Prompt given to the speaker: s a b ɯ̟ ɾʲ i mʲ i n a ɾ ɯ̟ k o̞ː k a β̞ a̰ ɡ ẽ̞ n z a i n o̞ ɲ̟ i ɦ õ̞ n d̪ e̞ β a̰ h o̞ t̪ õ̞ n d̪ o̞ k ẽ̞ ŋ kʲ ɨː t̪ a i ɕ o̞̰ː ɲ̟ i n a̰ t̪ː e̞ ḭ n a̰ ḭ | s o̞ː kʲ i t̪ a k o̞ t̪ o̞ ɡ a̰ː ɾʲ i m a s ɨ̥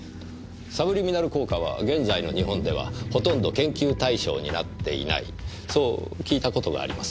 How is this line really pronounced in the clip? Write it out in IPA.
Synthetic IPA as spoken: s a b ɯ̟ ɾʲ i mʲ i n a ɾ ɯ̟ k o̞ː k a β̞ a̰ ɡ ẽ̞ n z a i n o̞ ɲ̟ i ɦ õ̞ n d̪ e̞ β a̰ h o̞ t̪ õ̞ n d̪ o̞ k ẽ̞ ŋ kʲ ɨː t̪ a i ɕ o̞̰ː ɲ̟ i n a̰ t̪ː e̞ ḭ n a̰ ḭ | s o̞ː kʲ iː t̪ a k o̞ t̪ o̞ ɡ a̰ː ɾʲ i m a s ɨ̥

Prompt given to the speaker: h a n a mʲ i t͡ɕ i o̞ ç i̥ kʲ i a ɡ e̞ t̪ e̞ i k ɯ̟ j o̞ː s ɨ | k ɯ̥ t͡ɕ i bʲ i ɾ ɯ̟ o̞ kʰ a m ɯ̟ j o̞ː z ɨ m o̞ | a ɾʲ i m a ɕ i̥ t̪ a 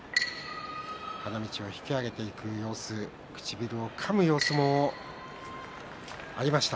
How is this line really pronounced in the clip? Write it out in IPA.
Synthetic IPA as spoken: h a n a mʲ i t͡ɕ i o̞ ç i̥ kʲ i a ɡ e̞ t̪ e̞ i k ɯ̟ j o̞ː s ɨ | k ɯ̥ t͡ɕ i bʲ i ɾ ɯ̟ o̞ kʰ a m ɯ̟ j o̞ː s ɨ m o̞ | a ɾʲ i m a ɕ i̥ t̪ a

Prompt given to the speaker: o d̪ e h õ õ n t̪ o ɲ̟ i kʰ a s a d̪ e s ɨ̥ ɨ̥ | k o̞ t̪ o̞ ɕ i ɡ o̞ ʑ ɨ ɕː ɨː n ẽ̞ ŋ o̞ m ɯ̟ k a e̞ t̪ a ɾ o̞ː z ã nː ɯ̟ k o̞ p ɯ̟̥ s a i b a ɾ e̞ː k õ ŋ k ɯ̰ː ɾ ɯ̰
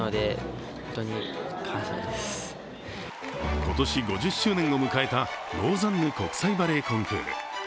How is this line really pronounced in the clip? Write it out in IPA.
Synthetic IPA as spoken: o d̪ e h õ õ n t̪ o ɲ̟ i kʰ a s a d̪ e s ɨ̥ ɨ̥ | k o̞ t̪ o̞ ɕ i ɡ o̞ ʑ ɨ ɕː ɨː n ẽ̞ ŋ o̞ m ɯ̟ k a e̞ t̪ a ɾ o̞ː z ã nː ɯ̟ k o̞ k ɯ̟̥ s a i b a ɾ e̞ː k õ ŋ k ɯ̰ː ɾ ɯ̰

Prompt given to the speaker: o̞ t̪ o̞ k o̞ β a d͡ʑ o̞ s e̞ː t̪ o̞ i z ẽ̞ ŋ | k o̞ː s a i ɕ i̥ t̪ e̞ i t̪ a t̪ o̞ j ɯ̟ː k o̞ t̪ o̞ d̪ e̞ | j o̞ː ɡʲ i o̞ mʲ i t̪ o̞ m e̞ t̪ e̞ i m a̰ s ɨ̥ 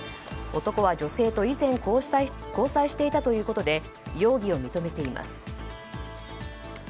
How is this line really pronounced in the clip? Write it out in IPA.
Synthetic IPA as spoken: o̞ t̪ o̞ k o̞ β a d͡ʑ o̞ s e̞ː t̪ o̞ i z ẽ̞ ŋ | k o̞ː s a i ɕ i̥ t̪ e̞ i t̪ a t̪ o̞ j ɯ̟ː k o̞ t̪ o̞ d̪ e̞ | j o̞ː ɡʲ i o̞ mʲ i t̪ o̞ m e̞ t̪ e̞ i m a̰ s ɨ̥

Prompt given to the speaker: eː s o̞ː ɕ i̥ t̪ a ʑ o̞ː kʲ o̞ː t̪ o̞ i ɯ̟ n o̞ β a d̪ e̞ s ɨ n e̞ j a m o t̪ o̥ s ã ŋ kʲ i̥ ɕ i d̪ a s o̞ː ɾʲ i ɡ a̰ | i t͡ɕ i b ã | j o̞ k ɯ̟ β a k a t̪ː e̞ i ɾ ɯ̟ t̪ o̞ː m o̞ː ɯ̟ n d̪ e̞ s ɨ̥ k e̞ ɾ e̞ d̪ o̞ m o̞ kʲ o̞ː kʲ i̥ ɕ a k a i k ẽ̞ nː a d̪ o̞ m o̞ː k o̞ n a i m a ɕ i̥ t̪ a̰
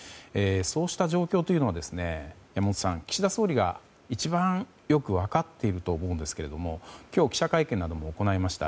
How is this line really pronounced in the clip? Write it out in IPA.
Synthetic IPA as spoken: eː s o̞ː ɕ i̥ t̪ a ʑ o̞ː kʲ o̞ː t̪ o̞ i ɯ̟ n o̞ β a d̪ e̞ s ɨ n e̞ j a m o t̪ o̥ s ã ŋ kʲ i̥ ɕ i d̪ a s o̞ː ɾʲ i ɡ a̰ | i t͡ɕ i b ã | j o̞ k ɯ̟ β a k a t̪ː e̞ i ɾ ɯ̟ t̪ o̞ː m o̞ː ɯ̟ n d̪ e̞ s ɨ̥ k e̞ ɾ e̞ d̪ o̞ m o̞ kʲ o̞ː kʲ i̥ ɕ a k a i k ẽ̞ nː a d̪ o̞ m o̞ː k o̞ n a i m a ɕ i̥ t̪ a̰

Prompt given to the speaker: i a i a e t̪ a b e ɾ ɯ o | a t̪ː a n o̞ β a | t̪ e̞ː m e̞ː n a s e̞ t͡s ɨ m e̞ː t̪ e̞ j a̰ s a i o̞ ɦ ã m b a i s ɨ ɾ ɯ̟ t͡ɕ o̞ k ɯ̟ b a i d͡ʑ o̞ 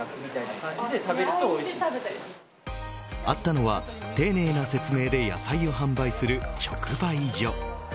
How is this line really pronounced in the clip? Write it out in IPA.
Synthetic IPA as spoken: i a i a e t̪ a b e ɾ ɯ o | a t̪ː a n o̞ β a | t̪ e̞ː n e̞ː n a s e̞ t͡s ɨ m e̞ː d̪ e̞ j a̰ s a i o̞ ɦ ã m b a i s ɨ ɾ ɯ̟ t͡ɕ o̞ k ɯ̟ b a i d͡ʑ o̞

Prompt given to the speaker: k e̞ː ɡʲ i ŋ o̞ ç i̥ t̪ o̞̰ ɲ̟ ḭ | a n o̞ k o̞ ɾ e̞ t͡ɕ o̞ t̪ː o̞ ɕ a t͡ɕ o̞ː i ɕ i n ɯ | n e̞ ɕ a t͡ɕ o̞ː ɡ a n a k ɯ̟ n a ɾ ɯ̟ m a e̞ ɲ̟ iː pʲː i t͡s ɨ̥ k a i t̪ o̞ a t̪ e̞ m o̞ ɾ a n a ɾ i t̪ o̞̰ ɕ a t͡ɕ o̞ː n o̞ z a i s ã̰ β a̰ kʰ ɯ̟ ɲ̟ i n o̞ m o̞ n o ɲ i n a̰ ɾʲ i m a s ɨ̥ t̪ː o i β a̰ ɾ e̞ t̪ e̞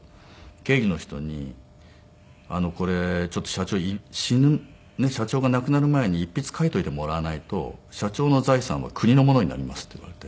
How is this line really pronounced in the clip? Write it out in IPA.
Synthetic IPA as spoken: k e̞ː ɡʲ i n o̞ ç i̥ t̪ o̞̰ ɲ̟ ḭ | a n o̞ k o̞ ɾ e̞ t͡ɕ o̞ t̪ː o̞ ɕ a t͡ɕ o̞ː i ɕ i n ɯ | n e̞ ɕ a t͡ɕ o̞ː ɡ a n a k ɯ̟ n a ɾ ɯ̟ m a e̞ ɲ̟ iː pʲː i t͡s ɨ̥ k a i t̪ o̞ i t̪ e̞ m o̞ ɾ a n a i t̪ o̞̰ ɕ a t͡ɕ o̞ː n o̞ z a i s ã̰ β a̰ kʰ ɯ̟ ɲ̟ i n o̞ m o̞ n o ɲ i n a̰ ɾʲ i m a s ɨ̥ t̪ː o i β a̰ ɾ e̞ t̪ e̞

